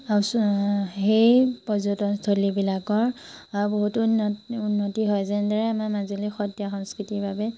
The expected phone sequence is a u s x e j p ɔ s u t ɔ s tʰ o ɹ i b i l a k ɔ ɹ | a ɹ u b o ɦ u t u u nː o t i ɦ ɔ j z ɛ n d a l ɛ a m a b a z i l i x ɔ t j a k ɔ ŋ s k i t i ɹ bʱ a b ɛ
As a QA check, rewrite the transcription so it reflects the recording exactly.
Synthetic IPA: a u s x e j p ɔ z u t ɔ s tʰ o l i b i l a k ɔ ɹ | a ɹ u b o ɦ u t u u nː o t i ɦ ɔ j z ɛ n d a ɹ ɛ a m a m a z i l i x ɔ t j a x ɔ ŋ s k i t i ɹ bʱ a b ɛ

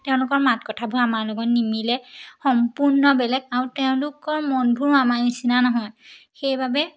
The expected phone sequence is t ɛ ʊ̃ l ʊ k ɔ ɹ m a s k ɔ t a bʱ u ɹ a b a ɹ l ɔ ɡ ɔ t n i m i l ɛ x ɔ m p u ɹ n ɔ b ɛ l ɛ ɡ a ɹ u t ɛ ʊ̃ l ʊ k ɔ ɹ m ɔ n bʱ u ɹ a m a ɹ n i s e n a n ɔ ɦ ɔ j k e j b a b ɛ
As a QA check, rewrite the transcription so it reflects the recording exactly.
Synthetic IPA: t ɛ ʊ̃ l ʊ k ɔ ɹ m a t k ɔ tʰ a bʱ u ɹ a m a ɹ l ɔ ɡ ɔ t n i m i l ɛ x ɔ m p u ɹ n ɔ b ɛ l ɛ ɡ a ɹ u t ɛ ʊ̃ l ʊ k ɔ ɹ m ɔ n bʱ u ɹ a m a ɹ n i s i n a n ɔ ɦ ɔ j x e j b a b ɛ

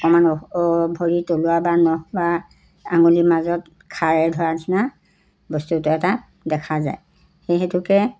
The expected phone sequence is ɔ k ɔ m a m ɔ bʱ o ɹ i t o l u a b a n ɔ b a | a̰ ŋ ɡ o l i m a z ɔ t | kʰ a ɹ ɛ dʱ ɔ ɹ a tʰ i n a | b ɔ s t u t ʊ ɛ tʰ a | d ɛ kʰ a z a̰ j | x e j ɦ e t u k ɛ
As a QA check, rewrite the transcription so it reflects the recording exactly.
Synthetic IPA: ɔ k ɔ m a n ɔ bʱ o ɹ i t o l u a b a n ɔ b a | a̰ ŋ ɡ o l i m a z ɔ t | kʰ a ɹ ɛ dʱ ɔ ɹ a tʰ i n a | b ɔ s t u t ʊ ɛ t a | d ɛ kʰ a z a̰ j | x e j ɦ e t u k ɛ

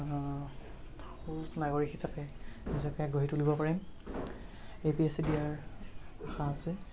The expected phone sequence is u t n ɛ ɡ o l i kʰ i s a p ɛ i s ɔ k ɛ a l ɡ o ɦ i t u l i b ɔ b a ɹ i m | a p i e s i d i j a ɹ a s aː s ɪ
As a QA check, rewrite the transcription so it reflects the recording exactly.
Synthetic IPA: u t n a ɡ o ɹ i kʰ i s a p ɛ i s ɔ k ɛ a ɡ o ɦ i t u l i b ɔ p a ɹ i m | e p i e s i d i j a ɹ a x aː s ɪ

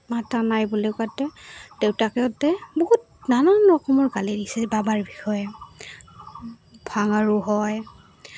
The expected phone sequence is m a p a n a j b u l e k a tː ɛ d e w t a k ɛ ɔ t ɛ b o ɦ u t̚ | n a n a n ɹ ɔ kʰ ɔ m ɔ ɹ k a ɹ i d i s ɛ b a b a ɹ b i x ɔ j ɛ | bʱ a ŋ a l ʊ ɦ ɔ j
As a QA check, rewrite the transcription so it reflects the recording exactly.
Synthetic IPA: m a t a n a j b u l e k a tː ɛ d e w t a k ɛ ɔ t ɛ b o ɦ u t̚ | n a n a n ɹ ɔ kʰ ɔ m ɔ ɹ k a l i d i s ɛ b a b a ɹ b i x ɔ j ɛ | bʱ a ŋ a ɹ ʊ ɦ ɔ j

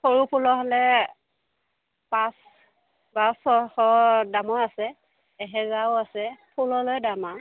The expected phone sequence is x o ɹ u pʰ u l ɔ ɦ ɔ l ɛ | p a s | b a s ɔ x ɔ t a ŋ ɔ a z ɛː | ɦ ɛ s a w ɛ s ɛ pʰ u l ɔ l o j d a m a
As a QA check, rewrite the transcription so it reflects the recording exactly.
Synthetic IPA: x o ɹ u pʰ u l ɔ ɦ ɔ l ɛ | p a s | b a s ɔ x ɔ d a m ɔ a s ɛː | ɦ ɛ z a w a s ɛ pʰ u l ɔ l o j d a m a

